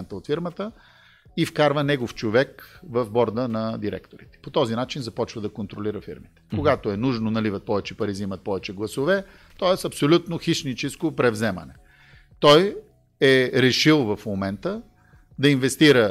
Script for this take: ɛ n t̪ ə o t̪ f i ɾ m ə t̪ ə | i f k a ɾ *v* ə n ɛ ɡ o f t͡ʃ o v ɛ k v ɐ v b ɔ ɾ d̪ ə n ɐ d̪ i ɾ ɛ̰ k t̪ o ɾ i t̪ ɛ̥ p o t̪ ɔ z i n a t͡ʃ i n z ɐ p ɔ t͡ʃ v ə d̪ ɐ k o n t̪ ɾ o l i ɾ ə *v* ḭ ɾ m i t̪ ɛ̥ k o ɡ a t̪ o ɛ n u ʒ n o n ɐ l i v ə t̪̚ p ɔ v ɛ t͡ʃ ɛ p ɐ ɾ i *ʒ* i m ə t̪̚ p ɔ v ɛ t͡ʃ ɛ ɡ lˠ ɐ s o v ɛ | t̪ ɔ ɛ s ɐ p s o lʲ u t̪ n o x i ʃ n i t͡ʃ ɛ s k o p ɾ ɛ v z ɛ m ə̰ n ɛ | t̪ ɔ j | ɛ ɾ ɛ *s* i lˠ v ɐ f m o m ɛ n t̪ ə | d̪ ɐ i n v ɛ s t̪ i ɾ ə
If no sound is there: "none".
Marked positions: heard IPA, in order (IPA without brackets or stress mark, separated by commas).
v, f, z, ʃ